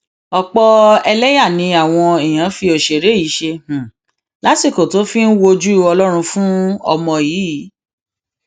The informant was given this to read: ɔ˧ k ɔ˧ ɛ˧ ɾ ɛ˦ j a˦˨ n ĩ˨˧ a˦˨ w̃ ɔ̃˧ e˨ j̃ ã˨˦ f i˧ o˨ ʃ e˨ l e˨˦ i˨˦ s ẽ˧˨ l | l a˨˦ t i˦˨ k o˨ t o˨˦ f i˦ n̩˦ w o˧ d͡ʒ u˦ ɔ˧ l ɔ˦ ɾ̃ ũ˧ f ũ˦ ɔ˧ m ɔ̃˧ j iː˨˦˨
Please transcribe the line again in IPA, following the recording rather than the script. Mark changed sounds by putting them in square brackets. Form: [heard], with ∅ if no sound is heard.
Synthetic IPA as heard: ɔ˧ [k͡p] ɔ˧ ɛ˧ [l] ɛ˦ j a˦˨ n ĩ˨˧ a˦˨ w̃ ɔ̃˧ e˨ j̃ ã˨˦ f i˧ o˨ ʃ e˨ [ɾ] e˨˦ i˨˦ [ʃ] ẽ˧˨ [∅] | l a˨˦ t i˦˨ k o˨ t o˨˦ f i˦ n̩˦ w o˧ d͡ʒ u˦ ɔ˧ l ɔ˦ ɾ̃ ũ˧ f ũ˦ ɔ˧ m ɔ̃˧ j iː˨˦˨

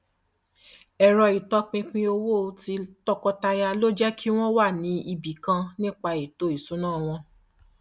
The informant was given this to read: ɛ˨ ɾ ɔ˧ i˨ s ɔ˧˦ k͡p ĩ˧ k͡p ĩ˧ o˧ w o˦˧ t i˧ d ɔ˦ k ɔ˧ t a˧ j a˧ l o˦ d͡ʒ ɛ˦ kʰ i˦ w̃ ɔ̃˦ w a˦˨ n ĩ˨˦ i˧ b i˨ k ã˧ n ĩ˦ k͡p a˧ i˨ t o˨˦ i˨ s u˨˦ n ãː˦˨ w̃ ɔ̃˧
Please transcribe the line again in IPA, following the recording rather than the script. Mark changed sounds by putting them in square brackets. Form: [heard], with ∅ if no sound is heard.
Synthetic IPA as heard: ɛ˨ ɾ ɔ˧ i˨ [t] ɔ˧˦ k͡p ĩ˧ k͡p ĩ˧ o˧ w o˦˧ t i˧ [t] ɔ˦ k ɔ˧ t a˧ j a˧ l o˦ d͡ʒ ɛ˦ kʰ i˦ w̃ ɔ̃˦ w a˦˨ n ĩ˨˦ i˧ b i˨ k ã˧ n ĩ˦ k͡p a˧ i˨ t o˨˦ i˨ s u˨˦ n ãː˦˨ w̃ ɔ̃˧

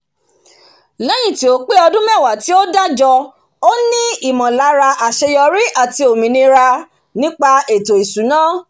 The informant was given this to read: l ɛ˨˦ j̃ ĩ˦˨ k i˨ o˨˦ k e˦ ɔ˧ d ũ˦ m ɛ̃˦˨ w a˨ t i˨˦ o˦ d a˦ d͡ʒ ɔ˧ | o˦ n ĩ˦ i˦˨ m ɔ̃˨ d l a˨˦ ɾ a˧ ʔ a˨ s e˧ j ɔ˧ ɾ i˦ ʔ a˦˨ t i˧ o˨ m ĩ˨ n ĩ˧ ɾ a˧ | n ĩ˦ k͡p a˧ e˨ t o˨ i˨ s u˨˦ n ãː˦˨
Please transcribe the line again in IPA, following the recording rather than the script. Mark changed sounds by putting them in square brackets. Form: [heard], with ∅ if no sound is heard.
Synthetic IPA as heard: l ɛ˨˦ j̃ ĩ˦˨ [t] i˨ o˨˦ [k͡p] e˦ ɔ˧ d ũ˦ m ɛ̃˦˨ w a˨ t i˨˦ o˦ d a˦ d͡ʒ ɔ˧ | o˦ n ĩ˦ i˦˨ m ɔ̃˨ [∅] l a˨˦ ɾ a˧ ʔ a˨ [ʃ] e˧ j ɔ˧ ɾ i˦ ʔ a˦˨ t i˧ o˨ m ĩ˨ n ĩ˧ ɾ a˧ | n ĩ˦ k͡p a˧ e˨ t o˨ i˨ s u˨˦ n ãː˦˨

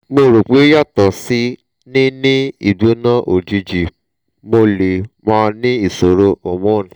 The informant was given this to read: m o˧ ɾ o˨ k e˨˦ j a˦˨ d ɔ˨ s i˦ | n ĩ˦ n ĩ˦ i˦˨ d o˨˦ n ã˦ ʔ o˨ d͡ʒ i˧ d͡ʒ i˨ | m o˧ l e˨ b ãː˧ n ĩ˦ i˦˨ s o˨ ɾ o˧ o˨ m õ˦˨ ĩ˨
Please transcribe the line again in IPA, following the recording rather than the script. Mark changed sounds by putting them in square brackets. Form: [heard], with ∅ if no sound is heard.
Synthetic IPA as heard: m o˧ ɾ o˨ [k͡p] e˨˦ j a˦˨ [t] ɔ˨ s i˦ | n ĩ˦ n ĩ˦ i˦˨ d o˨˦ n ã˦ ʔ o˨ d͡ʒ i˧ d͡ʒ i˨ | m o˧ l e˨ [m] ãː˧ n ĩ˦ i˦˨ s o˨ ɾ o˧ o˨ m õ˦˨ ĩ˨

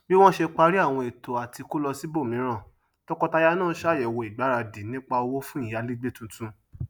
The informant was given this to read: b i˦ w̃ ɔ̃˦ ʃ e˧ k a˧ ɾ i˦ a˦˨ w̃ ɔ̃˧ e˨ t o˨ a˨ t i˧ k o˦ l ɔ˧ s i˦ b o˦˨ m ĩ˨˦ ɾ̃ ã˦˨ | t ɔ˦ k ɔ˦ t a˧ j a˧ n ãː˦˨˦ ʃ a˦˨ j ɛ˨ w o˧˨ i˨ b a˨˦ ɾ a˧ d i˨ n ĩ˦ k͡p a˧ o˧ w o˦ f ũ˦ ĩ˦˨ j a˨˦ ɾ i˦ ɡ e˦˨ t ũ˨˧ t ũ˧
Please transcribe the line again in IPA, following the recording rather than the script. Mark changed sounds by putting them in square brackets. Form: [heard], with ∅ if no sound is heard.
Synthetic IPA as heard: b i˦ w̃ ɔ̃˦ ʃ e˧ [k͡p] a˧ ɾ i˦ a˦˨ w̃ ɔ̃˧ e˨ t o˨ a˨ t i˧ k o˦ l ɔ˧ s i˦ b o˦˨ m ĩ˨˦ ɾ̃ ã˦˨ | t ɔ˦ k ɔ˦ t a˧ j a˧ n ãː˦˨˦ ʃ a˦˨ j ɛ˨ w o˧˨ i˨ [ɡ͡b] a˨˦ ɾ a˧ d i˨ n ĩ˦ k͡p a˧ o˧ w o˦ f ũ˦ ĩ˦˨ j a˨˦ [l] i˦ [ɡ͡b] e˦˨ t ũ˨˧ t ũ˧

